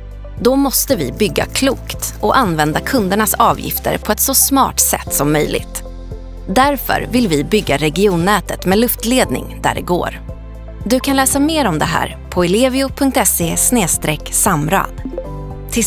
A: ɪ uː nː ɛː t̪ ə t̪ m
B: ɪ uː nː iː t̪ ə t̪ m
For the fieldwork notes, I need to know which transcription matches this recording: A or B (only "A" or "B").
A